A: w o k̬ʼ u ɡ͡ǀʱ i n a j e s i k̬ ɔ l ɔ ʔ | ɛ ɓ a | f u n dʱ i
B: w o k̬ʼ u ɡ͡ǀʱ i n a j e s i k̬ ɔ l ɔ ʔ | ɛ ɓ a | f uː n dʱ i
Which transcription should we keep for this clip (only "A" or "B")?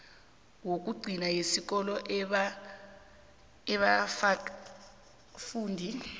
B